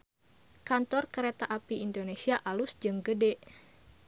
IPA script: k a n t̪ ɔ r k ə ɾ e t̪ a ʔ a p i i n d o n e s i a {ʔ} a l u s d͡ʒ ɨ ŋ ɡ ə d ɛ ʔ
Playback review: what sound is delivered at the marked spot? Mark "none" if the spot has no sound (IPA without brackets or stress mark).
ʔ